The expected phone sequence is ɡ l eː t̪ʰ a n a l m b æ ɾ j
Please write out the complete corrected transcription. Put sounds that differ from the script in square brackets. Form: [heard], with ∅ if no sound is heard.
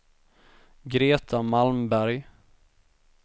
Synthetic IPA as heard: ɡ [ɾ] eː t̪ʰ a [m] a l m b æ ɾ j